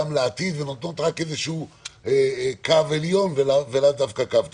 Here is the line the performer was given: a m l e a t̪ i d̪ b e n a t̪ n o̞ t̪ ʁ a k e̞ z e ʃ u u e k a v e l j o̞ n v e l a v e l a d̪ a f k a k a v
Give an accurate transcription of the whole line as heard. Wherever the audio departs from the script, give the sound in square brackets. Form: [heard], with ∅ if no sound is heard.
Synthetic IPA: a m l e a t̪ i d̪ [v] e n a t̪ n o̞ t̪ ʁ a k e̞ z e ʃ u u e k a v e l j o̞ n v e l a v e l a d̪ a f k a k a v